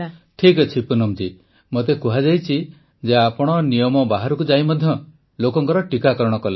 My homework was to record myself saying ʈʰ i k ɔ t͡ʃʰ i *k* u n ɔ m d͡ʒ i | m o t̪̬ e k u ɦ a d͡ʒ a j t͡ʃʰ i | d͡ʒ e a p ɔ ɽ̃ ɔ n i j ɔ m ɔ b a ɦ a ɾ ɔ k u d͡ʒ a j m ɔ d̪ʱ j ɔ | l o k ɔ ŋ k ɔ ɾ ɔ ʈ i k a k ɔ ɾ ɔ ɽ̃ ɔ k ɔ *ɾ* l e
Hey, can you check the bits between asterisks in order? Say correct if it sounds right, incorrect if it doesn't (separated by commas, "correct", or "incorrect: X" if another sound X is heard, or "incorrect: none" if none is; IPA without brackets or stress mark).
incorrect: p, incorrect: none